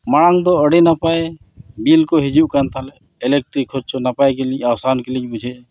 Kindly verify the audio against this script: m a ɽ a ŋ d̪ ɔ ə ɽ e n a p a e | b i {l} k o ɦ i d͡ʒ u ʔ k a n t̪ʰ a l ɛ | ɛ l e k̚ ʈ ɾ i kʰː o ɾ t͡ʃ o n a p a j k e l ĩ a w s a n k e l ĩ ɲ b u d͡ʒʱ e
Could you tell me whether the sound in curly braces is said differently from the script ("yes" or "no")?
no